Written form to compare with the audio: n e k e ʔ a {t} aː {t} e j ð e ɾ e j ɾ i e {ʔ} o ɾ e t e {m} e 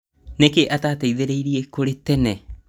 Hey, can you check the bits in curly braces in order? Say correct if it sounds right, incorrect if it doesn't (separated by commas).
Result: correct, correct, incorrect, incorrect